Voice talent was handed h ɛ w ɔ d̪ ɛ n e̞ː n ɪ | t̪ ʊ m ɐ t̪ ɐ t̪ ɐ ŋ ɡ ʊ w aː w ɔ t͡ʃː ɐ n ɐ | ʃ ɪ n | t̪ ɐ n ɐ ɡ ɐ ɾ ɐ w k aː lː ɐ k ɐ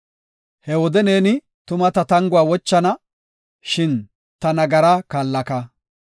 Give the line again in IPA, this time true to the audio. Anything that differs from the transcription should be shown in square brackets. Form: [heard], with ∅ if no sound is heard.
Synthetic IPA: h ɛ w ɔ d̪ ɛ n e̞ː n ɪ | t̪ ʊ m ɐ t̪ ɐ t̪ ɐ ŋ ɡ ʊ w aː w ɔ t͡ʃː ɐ n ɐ | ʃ ɪ n | t̪ ɐ n ɐ ɡ ɐ ɾ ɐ [∅] k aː lː ɐ k ɐ